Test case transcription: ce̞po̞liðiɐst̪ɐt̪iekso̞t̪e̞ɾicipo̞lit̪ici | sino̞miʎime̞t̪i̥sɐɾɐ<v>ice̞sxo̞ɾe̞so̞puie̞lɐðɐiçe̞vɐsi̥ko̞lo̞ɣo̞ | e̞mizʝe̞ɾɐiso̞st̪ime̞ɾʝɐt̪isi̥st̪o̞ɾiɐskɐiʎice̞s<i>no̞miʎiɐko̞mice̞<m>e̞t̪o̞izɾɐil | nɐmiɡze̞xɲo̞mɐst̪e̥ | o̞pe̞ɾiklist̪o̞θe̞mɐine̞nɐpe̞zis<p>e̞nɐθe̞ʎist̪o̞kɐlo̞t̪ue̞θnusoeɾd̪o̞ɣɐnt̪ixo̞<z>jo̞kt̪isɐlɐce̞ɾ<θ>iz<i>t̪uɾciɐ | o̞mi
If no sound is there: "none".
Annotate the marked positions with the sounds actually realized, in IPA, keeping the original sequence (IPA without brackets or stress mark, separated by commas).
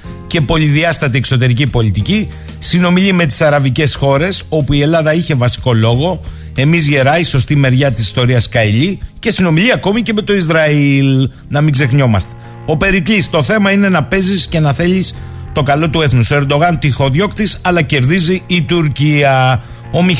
v, i, m, c, ð, ð, iː